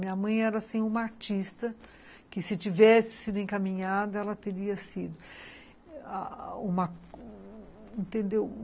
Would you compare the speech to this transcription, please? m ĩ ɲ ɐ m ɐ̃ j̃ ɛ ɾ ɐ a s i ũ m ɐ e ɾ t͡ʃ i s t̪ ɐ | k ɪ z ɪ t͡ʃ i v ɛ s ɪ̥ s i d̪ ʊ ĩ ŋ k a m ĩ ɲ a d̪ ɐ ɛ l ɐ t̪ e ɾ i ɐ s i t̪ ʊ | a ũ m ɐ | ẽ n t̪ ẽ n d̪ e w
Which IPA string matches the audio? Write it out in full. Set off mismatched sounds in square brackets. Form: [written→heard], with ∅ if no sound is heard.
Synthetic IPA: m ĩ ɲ ɐ m ɐ̃ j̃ ɛ ɾ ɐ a s [i→ĩ] ũ m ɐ [e→a] ɾ t͡ʃ i s t̪ ɐ | k ɪ [z→s] ɪ t͡ʃ i v ɛ s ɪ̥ s i d̪ ʊ [ĩ→ẽ] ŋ k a m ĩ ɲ a d̪ ɐ ɛ l ɐ t̪ e ɾ i ɐ s i [t̪→d̪] ʊ | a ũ m ɐ | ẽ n t̪ ẽ n d̪ e w